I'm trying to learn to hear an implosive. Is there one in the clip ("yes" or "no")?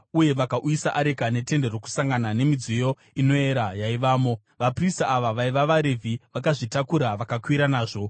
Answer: no